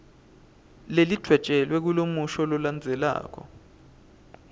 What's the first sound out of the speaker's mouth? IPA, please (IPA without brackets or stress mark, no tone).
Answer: l